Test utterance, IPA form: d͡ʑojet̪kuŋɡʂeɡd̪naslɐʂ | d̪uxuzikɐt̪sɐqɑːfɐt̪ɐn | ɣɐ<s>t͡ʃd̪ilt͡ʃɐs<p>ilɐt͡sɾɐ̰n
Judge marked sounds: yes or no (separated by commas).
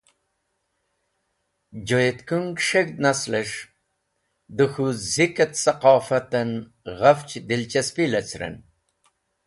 no, yes